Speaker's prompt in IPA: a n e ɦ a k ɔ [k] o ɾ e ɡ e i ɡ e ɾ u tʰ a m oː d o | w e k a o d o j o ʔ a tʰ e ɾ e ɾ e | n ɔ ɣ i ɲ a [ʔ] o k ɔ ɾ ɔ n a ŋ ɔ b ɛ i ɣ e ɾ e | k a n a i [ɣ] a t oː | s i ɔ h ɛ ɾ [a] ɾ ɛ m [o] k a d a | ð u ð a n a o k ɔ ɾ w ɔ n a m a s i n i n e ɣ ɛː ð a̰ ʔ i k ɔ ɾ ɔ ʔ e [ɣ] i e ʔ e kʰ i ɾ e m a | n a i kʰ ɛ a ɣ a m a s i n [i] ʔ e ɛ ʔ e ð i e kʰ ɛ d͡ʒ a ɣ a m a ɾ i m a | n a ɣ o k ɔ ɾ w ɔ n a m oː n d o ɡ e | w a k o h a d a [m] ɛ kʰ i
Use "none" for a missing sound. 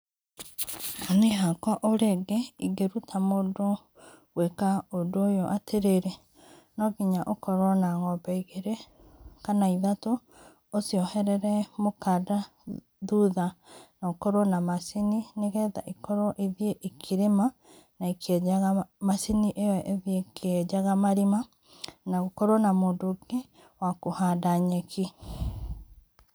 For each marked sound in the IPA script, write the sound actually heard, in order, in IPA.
ʔ, ʔ, ð, ɛ, o, ð, i, ɲ

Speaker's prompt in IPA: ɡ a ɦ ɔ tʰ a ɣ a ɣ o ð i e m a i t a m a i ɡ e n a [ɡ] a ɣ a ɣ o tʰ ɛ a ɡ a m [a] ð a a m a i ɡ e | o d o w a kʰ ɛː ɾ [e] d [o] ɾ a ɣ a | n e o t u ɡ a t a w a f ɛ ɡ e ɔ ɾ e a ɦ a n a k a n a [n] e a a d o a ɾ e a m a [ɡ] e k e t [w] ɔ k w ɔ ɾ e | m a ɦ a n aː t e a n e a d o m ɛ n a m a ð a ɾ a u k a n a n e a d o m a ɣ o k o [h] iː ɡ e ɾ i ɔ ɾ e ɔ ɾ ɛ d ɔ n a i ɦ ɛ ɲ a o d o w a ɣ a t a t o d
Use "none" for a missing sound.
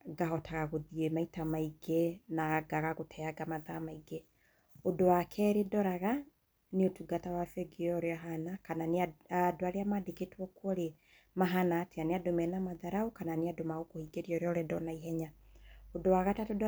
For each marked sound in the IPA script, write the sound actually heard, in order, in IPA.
ɡ, a, e, ɔ, n, d, w, h

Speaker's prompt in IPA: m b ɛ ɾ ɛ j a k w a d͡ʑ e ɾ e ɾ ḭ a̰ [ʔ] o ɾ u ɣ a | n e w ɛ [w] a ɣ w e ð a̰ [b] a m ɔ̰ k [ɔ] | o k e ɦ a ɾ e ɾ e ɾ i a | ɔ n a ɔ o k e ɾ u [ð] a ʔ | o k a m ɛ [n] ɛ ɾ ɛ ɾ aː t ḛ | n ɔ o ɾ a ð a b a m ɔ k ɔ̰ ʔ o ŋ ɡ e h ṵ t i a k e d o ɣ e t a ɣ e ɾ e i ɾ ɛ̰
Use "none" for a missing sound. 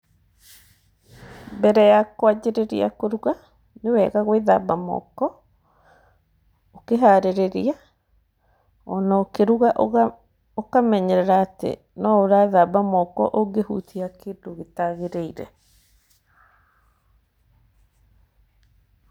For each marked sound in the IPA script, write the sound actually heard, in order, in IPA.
k, ɣ, b, ɔ, ɣ, ɲ

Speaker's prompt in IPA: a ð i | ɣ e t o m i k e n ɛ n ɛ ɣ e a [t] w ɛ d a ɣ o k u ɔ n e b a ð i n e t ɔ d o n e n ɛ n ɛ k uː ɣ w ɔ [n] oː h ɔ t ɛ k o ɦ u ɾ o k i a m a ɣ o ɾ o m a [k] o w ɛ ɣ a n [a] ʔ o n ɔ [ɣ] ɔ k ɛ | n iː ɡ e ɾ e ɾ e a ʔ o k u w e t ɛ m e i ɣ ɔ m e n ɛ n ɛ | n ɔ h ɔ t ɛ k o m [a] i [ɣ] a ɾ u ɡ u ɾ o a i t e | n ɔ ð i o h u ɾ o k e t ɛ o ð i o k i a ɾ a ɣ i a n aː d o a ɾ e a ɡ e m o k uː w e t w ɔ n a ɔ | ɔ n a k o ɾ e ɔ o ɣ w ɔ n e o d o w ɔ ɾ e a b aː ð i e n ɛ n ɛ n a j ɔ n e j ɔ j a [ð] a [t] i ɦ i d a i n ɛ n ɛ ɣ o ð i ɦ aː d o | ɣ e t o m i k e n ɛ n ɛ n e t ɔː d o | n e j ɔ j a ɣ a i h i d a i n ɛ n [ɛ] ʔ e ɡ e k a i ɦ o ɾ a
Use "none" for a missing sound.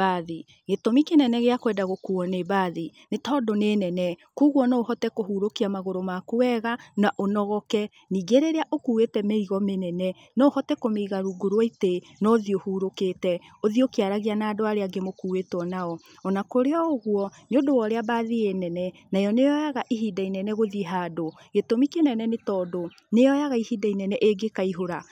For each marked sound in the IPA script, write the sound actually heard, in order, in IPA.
k, n, k, a, ɣ, e, ɣ, ɣ, ʔ, ɛ

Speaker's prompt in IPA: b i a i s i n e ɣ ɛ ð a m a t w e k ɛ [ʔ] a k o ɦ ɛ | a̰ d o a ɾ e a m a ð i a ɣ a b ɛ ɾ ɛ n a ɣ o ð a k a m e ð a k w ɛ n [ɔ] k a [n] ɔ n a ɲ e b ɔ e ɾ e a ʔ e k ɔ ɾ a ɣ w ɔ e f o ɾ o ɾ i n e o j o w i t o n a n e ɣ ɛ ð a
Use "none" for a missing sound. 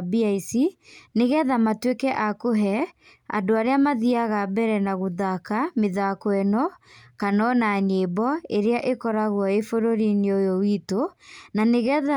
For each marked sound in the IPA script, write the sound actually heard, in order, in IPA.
ʔ, ɔ, n

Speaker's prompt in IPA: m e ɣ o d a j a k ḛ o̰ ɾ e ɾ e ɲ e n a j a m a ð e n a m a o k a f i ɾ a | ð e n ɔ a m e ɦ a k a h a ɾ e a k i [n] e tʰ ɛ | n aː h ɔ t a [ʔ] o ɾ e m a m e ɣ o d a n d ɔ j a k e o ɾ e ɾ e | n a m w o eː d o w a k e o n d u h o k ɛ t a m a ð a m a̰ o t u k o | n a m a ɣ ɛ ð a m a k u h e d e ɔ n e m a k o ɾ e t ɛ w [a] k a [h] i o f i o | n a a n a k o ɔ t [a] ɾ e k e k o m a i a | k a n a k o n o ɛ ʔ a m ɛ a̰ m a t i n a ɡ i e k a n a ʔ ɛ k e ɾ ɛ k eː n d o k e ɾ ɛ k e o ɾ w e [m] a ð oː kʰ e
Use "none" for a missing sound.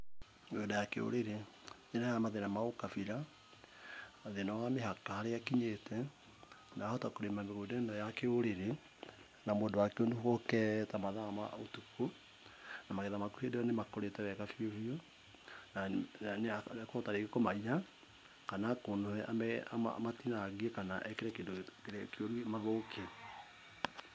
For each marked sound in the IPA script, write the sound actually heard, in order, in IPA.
ɲ, k, ɛ, f, a, m

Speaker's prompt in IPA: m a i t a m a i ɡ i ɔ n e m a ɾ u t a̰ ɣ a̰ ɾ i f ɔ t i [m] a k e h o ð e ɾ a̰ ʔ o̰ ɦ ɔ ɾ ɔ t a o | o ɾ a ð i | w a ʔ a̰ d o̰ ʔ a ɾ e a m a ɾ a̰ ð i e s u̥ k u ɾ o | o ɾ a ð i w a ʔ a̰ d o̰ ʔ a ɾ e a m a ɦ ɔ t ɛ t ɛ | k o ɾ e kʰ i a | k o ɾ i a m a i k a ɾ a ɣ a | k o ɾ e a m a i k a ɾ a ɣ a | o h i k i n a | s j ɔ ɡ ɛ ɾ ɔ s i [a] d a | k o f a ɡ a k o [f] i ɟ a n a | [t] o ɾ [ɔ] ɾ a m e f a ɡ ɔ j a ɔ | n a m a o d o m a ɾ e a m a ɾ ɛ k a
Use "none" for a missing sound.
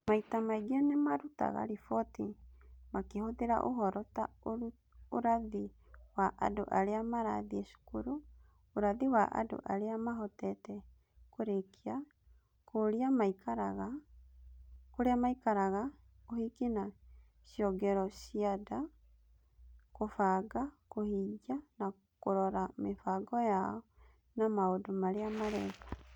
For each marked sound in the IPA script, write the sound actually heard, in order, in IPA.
m, a, h, k, ɔ

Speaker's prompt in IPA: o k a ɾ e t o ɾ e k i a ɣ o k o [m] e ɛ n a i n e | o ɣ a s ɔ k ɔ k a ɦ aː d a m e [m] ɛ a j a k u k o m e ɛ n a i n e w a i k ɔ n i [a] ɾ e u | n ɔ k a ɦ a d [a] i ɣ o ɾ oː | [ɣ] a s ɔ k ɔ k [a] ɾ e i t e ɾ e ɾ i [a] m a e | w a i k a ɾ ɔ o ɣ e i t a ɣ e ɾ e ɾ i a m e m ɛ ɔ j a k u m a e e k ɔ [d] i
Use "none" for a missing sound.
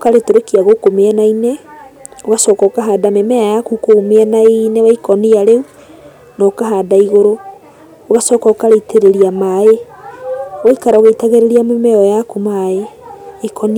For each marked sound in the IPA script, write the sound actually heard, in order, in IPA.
m, m, a, a, ɣ, a, a, n

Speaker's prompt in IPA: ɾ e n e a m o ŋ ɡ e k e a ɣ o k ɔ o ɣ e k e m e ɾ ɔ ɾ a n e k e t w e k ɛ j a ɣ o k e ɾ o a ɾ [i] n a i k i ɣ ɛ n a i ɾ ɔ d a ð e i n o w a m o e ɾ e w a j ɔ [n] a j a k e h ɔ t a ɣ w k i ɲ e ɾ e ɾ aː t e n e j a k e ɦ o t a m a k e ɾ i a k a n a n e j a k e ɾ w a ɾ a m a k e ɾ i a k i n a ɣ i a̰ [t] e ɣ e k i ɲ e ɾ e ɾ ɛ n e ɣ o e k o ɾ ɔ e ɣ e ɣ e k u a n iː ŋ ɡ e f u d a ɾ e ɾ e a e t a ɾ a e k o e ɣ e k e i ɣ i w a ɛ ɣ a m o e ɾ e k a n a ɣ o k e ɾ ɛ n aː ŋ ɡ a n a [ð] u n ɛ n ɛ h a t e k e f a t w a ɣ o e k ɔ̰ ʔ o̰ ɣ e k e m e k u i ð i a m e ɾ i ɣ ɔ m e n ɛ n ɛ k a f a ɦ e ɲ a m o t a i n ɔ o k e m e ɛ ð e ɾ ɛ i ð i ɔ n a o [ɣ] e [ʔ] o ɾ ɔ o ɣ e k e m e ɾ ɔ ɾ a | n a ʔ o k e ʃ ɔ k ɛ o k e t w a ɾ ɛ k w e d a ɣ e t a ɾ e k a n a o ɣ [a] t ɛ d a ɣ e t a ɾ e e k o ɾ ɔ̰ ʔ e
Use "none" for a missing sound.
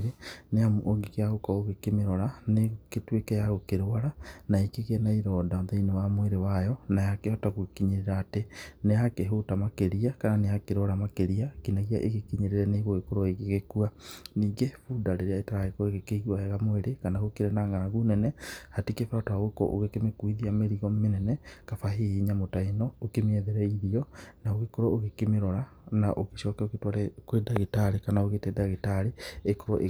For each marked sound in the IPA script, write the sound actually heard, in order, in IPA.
a, n, ʔ, ɣ, ɣ, k, e

